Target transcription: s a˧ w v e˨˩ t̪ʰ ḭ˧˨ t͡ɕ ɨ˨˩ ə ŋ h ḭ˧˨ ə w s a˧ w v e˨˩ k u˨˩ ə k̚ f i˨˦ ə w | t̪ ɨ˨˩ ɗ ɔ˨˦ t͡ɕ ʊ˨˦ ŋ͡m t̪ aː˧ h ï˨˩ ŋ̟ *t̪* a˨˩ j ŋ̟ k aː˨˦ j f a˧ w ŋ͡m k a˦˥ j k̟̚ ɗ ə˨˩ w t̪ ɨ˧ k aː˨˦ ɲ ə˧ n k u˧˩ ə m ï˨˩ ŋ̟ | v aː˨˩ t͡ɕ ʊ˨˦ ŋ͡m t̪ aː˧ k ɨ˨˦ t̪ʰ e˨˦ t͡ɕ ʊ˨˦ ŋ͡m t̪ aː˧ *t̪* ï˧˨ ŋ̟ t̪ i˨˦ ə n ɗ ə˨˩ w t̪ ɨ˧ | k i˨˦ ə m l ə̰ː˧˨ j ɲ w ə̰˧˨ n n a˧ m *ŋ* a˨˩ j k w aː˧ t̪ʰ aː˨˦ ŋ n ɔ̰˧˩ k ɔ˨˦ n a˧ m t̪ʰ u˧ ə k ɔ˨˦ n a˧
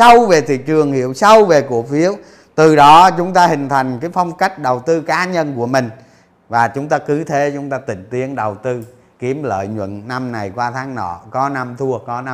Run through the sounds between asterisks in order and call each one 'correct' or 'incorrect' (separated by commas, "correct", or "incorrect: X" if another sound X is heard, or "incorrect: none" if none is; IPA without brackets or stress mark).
incorrect: t̪ʰ, correct, incorrect: n